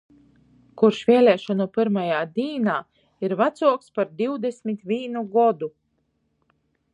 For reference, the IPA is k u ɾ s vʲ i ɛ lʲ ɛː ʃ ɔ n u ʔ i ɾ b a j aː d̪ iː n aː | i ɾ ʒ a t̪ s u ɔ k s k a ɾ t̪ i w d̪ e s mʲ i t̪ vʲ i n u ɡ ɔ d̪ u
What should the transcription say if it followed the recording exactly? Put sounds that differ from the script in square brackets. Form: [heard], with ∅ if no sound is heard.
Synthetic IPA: k u ɾ [ʃ] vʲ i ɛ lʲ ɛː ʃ ɔ n u [p] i ɾ [m] a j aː d̪ iː n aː | i ɾ [v] a t̪ s u ɔ k s [p] a ɾ [d̪] i w d̪ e s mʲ i t̪ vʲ [iː] n u ɡ ɔ d̪ u